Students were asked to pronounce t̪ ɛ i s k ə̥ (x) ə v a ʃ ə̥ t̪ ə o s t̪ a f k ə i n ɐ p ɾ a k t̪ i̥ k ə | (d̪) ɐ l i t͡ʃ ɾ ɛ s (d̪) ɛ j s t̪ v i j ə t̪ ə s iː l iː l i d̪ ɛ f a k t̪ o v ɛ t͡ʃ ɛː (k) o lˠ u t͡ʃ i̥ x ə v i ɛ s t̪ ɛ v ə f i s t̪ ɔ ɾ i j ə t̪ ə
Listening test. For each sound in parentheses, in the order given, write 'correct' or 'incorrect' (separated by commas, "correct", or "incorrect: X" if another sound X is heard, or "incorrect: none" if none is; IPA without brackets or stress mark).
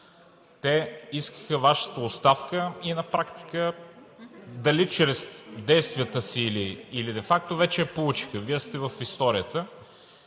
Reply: correct, correct, correct, incorrect: p